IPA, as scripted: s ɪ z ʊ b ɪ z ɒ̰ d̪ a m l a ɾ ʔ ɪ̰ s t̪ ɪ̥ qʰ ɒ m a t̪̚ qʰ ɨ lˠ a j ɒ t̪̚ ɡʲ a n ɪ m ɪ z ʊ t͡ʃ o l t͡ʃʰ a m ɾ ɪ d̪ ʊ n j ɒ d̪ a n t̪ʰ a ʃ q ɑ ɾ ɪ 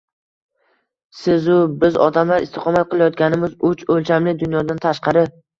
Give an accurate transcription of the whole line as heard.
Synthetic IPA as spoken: s ɪ z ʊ b ɪ z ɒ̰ d̪ a m l a ɾ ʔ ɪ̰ s t̪ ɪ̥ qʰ ɒ m a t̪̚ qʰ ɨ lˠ a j ɒ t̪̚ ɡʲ a n ɪ m ɪ z ʊ t͡ʃ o l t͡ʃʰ a m l ɪ d̪ ʊ n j ɒ d̪ a n t̪ʰ a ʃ q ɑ ɾ ɪ